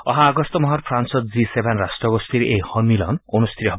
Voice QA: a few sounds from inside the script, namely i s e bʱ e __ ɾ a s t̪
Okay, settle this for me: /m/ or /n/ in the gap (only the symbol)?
n